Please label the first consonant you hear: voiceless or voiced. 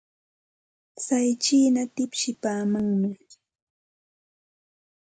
voiceless